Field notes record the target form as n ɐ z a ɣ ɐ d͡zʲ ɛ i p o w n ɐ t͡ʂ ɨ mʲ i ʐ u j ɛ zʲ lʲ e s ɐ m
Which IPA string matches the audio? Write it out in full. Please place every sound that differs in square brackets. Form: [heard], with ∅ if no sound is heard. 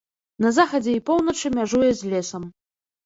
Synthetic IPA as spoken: n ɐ z a [x] ɐ d͡zʲ ɛ i p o w n ɐ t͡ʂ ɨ mʲ [a] ʐ u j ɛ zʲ lʲ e s ɐ m